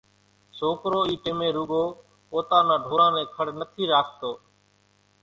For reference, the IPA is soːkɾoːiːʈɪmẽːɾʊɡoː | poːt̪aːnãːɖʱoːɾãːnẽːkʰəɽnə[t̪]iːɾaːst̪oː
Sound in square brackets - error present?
yes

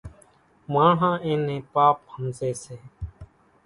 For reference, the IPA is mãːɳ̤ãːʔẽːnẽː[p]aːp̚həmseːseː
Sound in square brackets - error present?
no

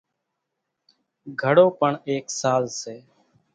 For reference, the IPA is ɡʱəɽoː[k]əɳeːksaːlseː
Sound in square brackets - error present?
yes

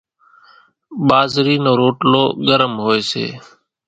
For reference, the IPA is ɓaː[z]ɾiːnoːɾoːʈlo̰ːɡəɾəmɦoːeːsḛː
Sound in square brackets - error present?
no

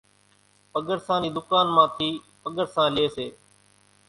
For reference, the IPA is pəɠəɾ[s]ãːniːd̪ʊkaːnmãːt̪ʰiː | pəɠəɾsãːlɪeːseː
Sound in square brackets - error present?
no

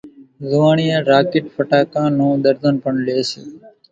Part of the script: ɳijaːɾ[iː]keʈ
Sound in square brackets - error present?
yes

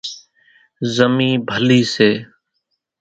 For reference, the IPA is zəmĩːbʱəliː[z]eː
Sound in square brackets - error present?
yes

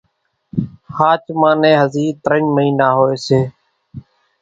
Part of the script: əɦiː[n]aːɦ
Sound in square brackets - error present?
no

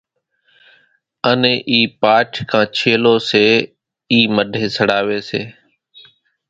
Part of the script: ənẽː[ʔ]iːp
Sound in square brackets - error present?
no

